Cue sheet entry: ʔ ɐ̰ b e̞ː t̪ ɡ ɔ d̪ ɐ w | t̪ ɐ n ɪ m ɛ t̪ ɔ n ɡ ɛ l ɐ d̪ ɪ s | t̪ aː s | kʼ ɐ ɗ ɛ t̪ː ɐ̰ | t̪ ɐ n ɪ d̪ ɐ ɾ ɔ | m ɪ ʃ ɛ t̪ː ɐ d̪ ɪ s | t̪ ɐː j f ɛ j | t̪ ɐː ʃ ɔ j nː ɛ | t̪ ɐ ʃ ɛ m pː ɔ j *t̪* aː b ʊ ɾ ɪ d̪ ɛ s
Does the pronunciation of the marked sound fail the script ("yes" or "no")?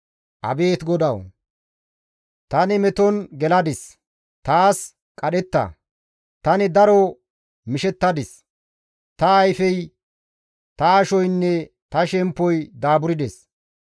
yes